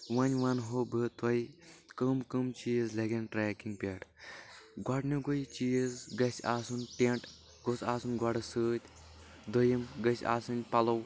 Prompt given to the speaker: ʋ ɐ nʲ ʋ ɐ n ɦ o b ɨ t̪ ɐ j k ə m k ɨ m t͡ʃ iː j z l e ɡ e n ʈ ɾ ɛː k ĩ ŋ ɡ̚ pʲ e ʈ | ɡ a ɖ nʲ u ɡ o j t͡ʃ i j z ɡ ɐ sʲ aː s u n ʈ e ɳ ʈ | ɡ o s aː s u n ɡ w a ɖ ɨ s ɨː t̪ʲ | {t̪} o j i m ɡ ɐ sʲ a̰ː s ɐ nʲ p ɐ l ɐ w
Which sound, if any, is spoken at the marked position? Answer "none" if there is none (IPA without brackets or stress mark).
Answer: d̪